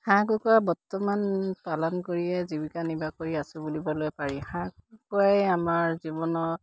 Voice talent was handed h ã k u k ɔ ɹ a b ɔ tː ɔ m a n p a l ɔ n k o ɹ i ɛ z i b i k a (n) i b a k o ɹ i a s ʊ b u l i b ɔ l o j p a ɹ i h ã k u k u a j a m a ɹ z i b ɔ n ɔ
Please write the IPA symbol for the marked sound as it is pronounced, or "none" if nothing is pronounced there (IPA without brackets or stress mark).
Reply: n